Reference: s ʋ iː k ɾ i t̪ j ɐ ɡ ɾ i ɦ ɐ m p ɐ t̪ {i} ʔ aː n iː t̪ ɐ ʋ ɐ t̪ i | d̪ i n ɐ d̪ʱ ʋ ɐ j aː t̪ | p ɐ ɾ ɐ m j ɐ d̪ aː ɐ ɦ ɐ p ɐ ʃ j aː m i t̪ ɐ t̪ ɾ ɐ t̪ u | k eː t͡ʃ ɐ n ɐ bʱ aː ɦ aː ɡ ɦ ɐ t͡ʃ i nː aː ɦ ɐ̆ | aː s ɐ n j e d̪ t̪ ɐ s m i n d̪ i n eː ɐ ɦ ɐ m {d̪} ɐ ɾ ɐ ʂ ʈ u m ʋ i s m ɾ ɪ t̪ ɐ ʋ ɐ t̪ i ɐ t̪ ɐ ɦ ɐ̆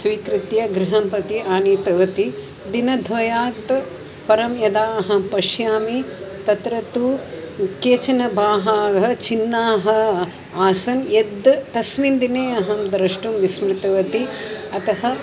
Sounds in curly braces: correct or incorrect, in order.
correct, correct

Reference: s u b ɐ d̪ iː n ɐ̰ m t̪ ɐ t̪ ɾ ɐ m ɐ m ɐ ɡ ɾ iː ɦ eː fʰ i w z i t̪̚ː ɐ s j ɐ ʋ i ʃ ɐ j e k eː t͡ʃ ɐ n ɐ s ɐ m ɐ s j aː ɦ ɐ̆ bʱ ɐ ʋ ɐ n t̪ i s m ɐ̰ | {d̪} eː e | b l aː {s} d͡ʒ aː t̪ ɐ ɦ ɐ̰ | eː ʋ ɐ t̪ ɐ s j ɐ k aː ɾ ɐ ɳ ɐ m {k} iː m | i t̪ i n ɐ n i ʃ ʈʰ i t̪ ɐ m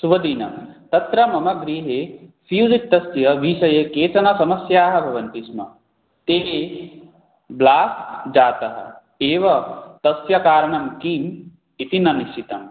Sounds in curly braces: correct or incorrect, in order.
incorrect, correct, correct

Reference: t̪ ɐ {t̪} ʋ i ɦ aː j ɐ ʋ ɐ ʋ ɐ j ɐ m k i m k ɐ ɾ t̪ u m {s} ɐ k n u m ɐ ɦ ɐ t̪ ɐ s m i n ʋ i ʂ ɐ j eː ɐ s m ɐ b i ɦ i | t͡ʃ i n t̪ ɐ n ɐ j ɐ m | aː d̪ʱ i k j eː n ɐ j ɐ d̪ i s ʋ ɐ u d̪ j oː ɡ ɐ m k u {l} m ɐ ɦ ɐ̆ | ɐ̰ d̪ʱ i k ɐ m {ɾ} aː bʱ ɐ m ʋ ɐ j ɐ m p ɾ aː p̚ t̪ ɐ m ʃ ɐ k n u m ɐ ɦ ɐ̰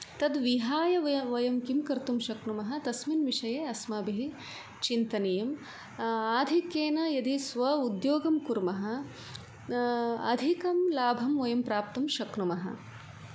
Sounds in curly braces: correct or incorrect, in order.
incorrect, incorrect, incorrect, incorrect

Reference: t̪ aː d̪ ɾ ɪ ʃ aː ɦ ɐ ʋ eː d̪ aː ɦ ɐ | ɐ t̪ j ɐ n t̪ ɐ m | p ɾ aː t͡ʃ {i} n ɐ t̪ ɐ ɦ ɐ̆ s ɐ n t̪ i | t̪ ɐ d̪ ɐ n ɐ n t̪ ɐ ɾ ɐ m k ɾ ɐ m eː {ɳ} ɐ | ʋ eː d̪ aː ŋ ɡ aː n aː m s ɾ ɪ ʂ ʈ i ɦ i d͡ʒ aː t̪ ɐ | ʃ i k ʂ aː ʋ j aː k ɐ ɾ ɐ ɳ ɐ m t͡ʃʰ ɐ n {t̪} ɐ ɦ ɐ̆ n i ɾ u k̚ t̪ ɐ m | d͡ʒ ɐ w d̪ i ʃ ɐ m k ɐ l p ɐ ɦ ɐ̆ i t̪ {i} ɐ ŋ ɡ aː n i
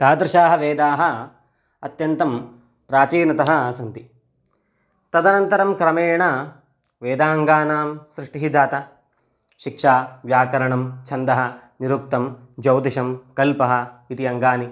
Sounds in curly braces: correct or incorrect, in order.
incorrect, correct, incorrect, correct

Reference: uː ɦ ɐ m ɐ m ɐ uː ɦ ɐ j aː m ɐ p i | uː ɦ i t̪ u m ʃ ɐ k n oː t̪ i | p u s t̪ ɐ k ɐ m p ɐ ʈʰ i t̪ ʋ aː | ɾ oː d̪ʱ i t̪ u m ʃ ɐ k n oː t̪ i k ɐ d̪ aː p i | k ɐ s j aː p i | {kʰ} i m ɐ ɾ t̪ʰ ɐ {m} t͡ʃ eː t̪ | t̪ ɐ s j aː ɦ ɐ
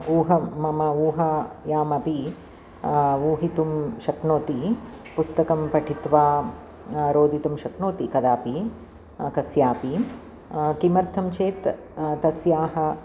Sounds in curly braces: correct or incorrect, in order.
incorrect, correct

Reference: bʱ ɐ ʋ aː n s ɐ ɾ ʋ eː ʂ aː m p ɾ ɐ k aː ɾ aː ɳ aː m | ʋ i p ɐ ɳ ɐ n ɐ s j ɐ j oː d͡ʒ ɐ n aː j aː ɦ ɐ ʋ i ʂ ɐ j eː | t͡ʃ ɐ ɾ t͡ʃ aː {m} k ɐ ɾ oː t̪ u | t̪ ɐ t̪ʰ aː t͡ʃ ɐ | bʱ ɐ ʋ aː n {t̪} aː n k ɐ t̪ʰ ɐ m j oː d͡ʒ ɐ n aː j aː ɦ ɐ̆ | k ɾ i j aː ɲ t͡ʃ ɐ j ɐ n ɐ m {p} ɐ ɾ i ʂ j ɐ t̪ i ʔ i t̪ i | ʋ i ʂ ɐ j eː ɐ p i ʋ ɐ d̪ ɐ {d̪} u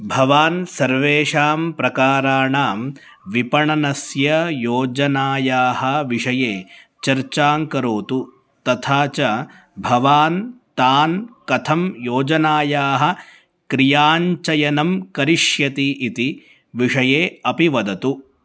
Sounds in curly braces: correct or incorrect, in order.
incorrect, correct, incorrect, incorrect

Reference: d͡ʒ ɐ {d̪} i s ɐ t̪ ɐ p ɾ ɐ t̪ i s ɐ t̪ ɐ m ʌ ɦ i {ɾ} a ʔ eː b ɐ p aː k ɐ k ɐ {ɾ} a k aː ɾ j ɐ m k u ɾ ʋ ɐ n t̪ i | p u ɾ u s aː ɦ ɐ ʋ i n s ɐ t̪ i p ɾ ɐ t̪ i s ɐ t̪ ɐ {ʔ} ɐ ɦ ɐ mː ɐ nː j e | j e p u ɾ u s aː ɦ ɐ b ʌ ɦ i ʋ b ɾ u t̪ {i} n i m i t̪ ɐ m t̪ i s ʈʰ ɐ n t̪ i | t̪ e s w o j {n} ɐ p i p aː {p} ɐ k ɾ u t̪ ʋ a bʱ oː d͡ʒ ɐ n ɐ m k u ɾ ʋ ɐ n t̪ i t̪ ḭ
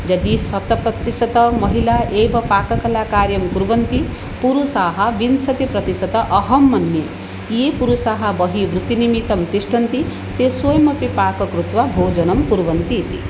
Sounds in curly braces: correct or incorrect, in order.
correct, incorrect, incorrect, correct, correct, incorrect, incorrect

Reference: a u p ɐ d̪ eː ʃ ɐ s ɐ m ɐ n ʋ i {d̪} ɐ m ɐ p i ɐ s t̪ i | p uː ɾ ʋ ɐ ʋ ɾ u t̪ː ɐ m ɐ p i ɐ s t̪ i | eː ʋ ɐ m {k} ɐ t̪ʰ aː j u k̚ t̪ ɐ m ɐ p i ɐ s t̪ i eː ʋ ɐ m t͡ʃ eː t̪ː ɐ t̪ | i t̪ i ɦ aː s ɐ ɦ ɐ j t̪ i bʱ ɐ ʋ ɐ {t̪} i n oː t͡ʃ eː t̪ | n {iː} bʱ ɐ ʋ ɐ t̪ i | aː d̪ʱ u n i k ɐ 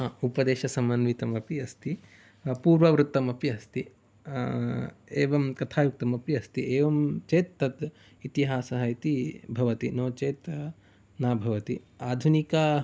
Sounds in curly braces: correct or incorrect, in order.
incorrect, correct, correct, incorrect

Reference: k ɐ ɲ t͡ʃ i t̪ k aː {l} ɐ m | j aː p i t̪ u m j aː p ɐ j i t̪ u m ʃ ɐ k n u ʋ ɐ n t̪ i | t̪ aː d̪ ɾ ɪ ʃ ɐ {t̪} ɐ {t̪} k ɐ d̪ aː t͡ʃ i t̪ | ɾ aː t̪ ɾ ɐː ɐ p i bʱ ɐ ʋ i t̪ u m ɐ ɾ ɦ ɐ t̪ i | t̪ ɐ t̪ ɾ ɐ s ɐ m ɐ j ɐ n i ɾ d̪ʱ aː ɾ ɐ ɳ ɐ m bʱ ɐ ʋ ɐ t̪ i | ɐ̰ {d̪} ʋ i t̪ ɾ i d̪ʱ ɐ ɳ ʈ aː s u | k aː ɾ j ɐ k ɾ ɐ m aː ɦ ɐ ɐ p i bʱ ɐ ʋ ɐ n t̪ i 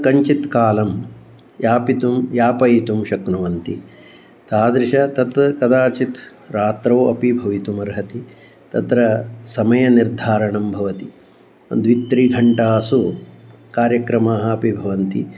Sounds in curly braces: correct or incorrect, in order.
correct, correct, correct, correct

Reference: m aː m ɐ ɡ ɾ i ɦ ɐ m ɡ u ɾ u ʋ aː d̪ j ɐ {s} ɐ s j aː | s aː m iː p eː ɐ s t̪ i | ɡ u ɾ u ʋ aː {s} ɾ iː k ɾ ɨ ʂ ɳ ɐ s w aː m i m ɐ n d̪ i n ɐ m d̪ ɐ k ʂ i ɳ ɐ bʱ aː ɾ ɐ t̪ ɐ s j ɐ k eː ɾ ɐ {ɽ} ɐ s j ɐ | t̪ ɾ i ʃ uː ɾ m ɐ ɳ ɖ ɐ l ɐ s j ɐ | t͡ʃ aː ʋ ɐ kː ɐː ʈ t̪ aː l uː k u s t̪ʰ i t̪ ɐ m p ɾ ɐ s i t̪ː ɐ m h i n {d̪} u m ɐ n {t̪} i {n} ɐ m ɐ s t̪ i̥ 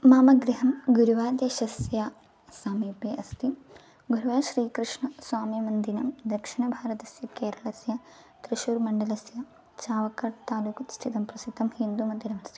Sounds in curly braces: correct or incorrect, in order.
incorrect, incorrect, incorrect, correct, incorrect, correct

